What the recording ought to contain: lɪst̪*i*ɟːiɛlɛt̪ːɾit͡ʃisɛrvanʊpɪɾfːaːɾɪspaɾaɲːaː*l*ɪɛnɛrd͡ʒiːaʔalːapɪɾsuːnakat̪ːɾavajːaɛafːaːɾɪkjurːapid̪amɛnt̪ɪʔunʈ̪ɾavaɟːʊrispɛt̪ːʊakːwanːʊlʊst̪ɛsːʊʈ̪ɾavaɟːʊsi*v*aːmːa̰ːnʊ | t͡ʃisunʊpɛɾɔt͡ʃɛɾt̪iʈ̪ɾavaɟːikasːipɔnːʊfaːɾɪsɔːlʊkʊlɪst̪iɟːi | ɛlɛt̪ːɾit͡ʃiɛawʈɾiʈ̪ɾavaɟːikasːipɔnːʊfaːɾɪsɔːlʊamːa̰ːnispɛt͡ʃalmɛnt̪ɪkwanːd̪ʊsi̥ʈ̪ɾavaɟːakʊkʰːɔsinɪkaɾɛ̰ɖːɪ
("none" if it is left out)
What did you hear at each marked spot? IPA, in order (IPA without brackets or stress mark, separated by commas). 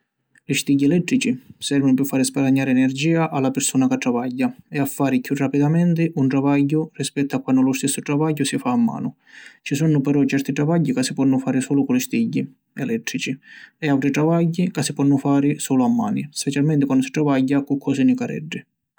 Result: i, ɾ, f